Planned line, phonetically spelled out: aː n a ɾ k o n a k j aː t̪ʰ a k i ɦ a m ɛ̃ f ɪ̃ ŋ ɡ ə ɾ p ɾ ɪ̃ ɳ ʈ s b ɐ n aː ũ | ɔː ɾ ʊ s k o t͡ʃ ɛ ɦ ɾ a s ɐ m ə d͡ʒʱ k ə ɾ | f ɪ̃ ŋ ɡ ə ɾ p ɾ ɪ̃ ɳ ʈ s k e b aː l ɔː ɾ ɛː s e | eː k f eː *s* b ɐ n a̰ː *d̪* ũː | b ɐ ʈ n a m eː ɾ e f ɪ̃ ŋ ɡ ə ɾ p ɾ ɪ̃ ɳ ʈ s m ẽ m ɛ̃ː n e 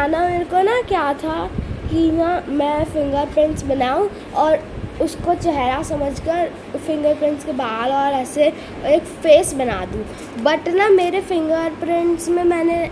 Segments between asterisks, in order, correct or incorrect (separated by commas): correct, correct